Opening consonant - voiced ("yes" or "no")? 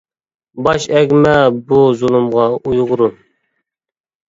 yes